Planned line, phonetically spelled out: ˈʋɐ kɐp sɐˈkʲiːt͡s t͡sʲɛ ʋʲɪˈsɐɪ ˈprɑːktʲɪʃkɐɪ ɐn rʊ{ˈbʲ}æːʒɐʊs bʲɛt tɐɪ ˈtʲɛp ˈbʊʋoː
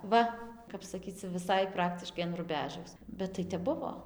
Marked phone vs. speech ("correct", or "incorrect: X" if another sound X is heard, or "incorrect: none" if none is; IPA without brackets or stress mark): correct